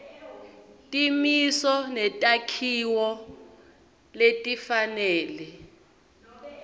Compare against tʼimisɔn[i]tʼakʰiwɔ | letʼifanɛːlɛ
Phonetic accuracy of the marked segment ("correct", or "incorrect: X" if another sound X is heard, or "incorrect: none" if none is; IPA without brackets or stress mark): incorrect: ɛ